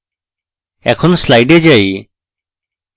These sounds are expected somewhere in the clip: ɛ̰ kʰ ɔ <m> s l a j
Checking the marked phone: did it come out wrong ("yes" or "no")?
yes